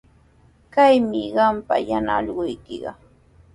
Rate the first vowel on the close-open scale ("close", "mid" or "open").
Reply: open